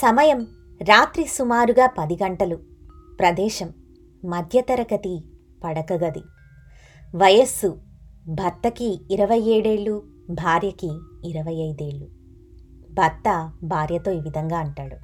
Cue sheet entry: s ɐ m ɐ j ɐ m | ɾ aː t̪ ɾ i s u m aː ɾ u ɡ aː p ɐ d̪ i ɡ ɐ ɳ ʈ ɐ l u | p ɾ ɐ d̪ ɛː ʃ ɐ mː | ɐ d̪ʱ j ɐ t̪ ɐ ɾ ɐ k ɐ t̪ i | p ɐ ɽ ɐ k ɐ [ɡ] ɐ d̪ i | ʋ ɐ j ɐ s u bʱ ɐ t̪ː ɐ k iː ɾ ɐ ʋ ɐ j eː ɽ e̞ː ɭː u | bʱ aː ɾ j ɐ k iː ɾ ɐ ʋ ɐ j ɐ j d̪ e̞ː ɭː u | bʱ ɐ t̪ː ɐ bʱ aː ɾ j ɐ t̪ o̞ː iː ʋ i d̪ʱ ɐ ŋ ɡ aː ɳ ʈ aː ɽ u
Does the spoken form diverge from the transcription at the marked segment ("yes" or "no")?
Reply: no